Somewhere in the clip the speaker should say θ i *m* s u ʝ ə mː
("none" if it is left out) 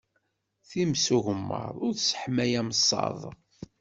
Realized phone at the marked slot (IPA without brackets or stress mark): m